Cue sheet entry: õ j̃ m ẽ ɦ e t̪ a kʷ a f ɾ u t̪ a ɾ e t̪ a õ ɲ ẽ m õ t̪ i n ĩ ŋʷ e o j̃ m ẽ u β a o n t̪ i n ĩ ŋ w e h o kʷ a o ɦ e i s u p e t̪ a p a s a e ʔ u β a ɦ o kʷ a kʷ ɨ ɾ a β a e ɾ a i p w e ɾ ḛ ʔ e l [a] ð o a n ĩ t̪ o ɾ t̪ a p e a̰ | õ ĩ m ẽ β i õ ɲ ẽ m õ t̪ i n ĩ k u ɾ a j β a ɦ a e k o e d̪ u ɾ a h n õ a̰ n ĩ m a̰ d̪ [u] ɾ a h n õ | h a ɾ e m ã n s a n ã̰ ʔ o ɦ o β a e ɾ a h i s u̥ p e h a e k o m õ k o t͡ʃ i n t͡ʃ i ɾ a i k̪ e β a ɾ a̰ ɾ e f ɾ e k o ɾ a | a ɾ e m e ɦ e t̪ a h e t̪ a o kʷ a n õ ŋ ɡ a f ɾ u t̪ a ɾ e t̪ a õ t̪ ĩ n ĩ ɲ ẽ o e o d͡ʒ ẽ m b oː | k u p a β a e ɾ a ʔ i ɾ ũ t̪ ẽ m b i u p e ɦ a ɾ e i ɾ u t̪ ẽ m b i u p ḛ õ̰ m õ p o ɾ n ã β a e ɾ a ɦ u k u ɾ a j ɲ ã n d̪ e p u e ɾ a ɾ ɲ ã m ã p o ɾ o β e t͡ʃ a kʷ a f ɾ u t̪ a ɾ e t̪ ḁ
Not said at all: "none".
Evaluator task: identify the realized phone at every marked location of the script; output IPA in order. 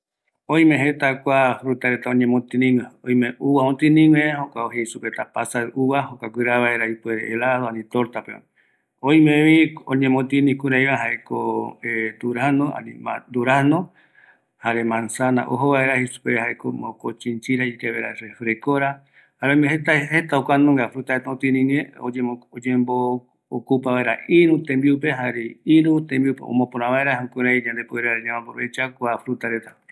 a, u

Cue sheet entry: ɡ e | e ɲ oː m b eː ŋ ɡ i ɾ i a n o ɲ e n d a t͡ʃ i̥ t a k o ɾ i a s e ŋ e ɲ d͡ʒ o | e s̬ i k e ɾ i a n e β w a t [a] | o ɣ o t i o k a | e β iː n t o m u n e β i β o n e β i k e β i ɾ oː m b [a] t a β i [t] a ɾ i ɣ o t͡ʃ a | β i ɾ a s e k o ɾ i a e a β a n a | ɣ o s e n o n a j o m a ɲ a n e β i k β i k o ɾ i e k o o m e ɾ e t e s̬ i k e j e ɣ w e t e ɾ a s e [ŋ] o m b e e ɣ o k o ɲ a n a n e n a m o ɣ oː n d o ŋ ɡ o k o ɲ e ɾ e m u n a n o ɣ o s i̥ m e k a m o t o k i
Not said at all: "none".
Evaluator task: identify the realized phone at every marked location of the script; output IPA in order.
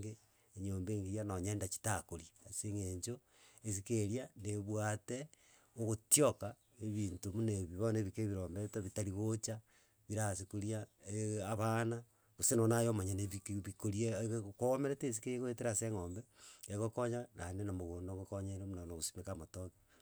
e, e, t, ŋ

